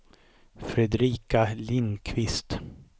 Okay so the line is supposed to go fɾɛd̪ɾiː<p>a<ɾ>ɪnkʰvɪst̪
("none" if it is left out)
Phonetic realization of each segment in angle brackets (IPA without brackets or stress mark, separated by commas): k, l